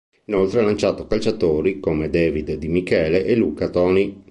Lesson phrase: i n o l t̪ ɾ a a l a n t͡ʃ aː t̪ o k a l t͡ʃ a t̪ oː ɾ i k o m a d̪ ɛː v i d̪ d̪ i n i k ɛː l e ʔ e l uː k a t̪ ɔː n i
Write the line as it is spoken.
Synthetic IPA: i n o l t̪ ɾ e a l a n t͡ʃ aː t̪ o k a l t͡ʃ a t̪ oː ɾ i k o m e d̪ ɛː v i d̪ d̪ i m i k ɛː l e ʔ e l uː k a t̪ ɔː n i